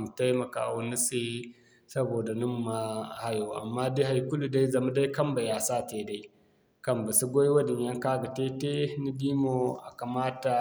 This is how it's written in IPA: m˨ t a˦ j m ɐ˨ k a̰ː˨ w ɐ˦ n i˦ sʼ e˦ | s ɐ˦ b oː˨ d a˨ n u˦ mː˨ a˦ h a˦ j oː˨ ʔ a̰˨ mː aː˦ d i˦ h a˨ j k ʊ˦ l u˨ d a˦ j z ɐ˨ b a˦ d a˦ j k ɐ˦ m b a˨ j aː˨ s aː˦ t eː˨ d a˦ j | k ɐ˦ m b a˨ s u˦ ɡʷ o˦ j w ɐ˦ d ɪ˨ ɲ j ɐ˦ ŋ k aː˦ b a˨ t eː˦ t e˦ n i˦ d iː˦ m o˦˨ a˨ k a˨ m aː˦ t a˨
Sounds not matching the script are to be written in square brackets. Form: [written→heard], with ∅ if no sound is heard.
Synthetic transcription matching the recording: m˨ t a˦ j m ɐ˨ k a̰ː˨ w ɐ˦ n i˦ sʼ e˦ | s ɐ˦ b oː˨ d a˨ n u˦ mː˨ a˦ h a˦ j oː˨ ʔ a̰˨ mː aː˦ d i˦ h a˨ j k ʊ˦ l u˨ d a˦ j z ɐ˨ [b→m] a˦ d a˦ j k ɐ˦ m b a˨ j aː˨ s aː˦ t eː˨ d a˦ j | k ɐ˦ m b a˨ s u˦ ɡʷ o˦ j w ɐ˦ d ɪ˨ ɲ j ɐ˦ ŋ k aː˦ [b→ɡ] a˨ t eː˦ t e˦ n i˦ d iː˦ m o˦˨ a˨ k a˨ m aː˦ t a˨